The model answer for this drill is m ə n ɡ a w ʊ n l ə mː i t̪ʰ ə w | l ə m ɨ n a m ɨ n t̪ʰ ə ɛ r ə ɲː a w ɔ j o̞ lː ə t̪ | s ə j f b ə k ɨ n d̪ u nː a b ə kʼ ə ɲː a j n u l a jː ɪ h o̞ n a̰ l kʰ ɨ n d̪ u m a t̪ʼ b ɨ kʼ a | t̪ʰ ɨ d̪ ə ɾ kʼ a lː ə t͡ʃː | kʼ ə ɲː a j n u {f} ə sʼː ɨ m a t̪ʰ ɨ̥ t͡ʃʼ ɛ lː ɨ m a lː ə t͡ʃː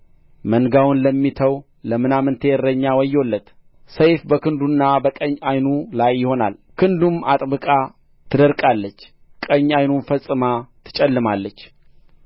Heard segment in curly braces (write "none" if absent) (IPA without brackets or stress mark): f